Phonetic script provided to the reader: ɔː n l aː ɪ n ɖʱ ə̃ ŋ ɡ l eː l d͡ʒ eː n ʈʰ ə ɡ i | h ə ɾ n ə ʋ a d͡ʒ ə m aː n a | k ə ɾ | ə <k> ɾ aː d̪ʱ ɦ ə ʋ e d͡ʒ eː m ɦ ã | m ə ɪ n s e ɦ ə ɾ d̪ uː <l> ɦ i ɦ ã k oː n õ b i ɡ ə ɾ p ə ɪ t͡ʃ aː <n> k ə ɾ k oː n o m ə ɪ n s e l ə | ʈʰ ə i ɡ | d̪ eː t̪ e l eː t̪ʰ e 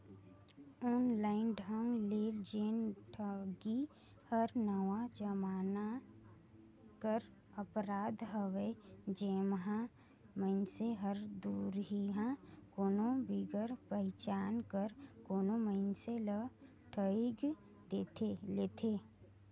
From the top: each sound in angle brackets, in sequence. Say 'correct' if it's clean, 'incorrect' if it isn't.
incorrect: p, incorrect: ɾ, correct

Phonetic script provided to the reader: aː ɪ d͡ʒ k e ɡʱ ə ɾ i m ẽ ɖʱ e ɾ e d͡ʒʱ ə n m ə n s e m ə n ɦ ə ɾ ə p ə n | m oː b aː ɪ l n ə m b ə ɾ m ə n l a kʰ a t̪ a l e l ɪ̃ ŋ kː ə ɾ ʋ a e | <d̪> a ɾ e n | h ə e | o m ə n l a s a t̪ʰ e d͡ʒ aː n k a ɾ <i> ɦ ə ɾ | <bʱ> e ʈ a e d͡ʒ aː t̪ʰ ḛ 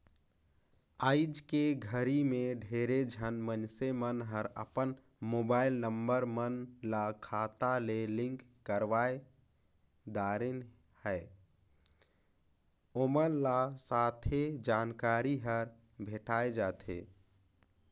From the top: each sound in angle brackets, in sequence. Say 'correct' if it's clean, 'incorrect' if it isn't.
correct, correct, correct

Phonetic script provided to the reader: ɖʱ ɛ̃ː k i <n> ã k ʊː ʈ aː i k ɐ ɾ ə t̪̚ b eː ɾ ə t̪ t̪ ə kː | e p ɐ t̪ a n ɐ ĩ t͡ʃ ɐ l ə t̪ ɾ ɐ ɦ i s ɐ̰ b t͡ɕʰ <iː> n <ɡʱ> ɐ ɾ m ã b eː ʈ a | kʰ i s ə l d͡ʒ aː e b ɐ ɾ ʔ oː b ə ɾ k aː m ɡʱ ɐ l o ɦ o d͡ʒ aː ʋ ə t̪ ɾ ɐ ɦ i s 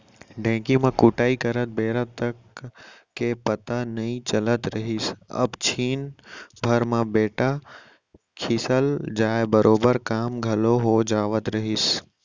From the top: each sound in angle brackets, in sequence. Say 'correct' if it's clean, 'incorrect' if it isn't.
incorrect: m, correct, incorrect: bʱ

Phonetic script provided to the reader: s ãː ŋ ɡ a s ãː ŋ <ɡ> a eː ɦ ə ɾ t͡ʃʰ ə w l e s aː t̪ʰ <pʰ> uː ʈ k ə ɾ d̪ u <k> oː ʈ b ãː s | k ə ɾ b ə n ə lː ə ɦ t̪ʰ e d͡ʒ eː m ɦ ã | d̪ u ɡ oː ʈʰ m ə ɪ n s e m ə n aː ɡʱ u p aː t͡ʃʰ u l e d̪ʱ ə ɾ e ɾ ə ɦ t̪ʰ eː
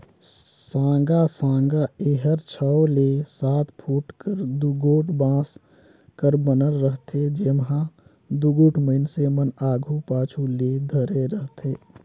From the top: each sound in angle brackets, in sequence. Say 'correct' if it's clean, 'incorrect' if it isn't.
correct, correct, incorrect: ɡ

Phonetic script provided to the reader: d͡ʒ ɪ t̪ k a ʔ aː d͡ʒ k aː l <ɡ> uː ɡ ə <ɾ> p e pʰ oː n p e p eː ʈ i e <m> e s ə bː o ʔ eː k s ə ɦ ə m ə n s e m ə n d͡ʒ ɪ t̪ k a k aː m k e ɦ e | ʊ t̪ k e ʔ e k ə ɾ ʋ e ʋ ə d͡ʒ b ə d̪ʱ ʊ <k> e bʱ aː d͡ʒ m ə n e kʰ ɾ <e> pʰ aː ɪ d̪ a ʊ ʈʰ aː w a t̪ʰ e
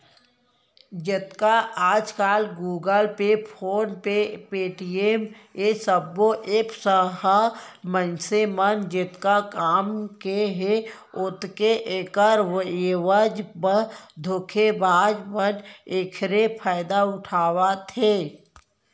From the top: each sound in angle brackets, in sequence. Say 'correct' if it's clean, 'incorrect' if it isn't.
correct, incorrect: l, correct, incorrect: kʰ, correct

